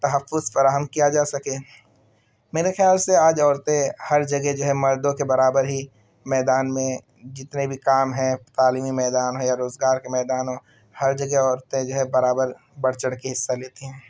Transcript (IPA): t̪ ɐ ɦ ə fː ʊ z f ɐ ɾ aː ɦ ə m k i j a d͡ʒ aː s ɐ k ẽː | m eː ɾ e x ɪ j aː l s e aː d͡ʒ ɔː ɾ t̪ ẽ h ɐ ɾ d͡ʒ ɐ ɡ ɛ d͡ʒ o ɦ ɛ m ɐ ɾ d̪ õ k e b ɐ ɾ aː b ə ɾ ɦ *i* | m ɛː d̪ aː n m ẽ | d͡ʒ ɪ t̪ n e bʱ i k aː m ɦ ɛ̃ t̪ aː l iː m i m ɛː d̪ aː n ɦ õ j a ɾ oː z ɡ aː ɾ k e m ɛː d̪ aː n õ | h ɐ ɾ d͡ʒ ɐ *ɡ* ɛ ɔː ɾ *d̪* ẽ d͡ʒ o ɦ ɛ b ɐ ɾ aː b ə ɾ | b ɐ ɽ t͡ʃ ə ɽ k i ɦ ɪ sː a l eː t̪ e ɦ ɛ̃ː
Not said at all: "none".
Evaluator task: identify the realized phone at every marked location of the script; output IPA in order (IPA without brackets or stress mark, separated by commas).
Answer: i, ɡ, t̪